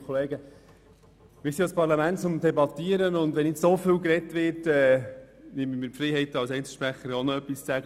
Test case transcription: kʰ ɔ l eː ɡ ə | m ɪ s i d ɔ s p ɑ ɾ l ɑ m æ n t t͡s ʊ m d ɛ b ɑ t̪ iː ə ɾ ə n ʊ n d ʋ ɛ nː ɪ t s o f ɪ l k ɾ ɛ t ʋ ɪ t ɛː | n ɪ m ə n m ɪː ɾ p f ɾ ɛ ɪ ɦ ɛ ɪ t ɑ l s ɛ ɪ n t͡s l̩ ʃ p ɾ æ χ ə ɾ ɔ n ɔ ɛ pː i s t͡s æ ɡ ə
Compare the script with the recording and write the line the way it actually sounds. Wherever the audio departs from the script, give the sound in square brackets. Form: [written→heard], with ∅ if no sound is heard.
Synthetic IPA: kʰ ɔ l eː ɡ ə | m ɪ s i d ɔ s p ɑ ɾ l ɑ m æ n t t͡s ʊ m d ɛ b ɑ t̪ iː ə ɾ ə n ʊ n d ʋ ɛ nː ɪ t s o f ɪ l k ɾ ɛ t ʋ ɪ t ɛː | n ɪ m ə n m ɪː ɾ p f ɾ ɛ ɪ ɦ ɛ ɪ t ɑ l s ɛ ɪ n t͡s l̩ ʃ p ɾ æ χ ə ɾ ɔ n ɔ [ɛ→œ] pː i s t͡s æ ɡ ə